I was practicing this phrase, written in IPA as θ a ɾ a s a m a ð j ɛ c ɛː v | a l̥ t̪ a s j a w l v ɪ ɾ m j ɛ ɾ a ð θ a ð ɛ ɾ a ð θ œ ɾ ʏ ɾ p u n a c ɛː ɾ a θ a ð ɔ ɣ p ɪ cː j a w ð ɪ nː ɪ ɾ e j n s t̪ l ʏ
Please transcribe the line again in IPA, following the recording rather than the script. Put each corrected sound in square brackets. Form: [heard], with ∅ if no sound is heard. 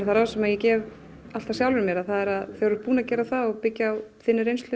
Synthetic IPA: θ a ɾ a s [ɛ] m a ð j ɛ c ɛː v | a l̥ t̪ a s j a w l v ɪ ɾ m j ɛ ɾ a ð θ a ð ɛ ɾ a ð θ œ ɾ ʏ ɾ p [uː] n a c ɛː ɾ a θ a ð ɔ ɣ p ɪ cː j a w [θ] ɪ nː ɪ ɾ e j n s t̪ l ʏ